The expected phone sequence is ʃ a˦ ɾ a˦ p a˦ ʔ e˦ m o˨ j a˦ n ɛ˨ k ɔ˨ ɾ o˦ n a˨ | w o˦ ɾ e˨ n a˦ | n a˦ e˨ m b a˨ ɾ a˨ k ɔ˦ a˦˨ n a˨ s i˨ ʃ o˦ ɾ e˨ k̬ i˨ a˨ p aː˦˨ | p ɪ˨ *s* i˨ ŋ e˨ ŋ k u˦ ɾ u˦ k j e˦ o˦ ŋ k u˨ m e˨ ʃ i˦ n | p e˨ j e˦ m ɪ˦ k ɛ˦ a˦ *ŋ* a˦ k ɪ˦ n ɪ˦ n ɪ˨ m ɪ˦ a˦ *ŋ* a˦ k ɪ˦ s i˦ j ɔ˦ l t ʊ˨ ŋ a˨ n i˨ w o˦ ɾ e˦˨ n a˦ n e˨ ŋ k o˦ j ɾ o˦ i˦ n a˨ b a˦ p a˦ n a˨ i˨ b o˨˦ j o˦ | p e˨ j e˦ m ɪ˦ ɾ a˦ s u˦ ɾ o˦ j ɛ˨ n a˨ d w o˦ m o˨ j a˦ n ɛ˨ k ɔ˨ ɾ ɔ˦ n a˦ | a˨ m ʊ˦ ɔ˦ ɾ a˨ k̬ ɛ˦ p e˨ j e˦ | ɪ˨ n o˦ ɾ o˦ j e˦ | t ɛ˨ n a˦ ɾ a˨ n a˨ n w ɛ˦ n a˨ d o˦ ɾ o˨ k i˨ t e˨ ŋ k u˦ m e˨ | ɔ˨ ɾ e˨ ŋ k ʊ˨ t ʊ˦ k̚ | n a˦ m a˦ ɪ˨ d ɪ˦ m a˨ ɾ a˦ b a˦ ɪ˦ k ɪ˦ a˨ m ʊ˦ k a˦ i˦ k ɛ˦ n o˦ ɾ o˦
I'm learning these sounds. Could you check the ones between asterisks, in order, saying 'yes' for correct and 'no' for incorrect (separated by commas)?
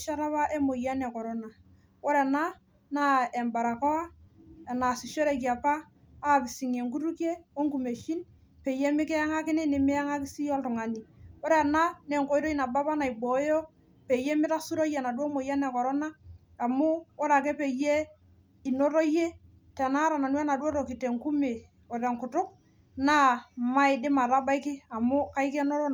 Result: yes, yes, yes